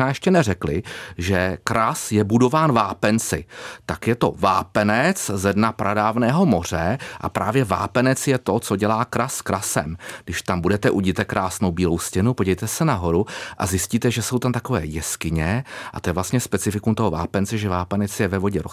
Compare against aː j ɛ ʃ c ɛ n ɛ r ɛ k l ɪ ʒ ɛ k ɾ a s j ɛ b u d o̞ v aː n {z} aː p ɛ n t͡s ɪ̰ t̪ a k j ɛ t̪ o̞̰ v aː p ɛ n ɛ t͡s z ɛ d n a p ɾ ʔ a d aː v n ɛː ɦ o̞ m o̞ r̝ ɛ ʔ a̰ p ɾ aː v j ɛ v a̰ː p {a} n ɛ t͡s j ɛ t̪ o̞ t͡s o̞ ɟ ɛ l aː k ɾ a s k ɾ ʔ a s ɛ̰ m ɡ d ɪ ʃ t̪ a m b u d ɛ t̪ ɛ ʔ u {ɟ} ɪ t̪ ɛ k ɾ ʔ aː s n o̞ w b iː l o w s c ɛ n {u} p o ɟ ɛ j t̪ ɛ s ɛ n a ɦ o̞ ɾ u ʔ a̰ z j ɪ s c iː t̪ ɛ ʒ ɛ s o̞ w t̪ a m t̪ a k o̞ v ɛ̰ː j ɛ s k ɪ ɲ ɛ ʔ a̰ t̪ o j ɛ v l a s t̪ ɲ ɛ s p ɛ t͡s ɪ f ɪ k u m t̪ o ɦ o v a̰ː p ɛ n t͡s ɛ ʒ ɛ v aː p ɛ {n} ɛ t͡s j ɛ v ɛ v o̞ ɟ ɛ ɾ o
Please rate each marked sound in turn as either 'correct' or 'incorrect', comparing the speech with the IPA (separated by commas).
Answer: incorrect, incorrect, correct, correct, correct